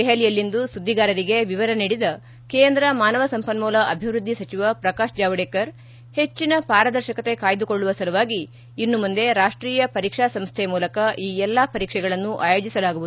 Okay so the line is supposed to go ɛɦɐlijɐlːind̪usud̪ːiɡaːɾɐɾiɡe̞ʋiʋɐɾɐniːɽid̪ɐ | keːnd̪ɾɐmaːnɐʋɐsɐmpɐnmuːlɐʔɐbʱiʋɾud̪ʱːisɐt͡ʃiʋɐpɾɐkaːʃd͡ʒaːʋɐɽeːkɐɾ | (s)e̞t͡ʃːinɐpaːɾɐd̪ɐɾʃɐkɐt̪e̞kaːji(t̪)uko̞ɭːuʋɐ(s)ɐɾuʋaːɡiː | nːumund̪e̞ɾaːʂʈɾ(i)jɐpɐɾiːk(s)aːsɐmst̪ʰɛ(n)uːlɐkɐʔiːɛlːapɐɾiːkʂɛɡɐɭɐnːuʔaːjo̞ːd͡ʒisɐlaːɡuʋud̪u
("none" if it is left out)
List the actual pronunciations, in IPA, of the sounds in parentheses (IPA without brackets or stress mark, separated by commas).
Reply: h, d̪, s, iː, ʂ, m